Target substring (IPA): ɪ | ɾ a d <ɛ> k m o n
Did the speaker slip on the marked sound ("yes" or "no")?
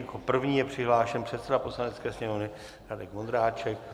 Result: no